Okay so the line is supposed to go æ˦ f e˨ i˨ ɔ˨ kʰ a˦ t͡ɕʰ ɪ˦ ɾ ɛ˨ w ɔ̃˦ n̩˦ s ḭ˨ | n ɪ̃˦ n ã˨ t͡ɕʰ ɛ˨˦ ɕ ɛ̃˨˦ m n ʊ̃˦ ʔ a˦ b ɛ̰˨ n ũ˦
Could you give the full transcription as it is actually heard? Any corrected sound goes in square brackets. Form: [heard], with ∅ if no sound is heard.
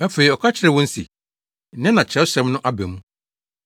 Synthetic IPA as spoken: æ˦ f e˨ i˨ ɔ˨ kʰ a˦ t͡ɕʰ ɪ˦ ɾ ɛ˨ w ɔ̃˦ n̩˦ s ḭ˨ | n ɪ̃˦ n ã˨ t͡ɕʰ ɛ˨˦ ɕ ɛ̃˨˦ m n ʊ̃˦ ʔ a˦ b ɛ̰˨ [m] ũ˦